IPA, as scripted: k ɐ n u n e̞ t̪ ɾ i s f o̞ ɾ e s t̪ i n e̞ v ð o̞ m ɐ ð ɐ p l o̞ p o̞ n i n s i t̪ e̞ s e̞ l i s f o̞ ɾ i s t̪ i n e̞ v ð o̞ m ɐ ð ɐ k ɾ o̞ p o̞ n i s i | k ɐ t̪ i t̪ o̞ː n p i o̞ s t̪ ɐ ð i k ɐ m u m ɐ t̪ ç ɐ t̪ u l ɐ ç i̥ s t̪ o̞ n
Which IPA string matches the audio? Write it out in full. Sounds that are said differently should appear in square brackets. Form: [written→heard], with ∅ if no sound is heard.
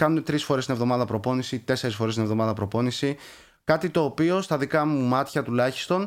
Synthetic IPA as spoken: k ɐ n u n e̞ t̪ ɾ i s f o̞ ɾ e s t̪ i n e̞ v ð o̞ m ɐ ð ɐ p [l→ɾ] o̞ p o̞ n i [n→∅] s i t̪ e̞ s e̞ [l→ɾ] i s f o̞ ɾ [i→e] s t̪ i n e̞ v ð o̞ m ɐ ð ɐ [k→p] ɾ o̞ p o̞ n i s i | k ɐ t̪ i t̪ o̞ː [n→∅] p i o̞ s t̪ ɐ ð i k ɐ m u m ɐ t̪ ç ɐ t̪ u l ɐ ç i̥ s t̪ o̞ n